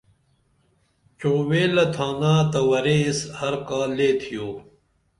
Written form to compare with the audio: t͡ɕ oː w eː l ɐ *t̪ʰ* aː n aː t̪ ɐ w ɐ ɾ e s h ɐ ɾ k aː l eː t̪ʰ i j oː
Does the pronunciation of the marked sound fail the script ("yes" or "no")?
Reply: no